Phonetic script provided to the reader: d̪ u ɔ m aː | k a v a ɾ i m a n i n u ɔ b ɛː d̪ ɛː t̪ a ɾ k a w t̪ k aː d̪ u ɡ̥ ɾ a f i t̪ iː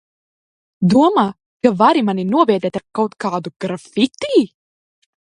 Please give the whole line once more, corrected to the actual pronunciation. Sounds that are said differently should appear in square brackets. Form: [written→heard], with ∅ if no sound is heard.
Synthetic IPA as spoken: d̪ u ɔ m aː | k a v a ɾ i m a n i n u ɔ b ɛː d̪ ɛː t̪ a ɾ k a w t̪ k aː d̪ u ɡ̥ ɾ a f i t̪ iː